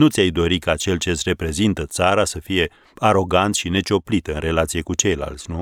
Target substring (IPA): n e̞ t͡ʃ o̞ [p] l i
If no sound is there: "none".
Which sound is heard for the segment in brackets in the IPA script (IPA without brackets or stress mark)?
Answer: p